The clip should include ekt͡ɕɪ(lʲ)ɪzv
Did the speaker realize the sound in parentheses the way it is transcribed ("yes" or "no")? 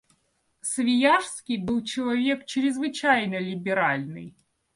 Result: no